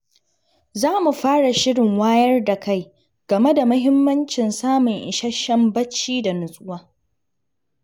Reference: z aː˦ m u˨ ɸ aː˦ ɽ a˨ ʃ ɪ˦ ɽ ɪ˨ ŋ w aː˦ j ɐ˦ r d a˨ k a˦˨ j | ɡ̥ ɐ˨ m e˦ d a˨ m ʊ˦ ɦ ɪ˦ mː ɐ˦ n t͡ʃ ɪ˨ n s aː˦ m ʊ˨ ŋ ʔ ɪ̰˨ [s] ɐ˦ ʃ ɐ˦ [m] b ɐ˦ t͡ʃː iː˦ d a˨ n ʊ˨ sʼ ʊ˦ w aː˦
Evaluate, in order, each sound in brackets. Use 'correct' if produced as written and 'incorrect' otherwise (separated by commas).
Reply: incorrect, correct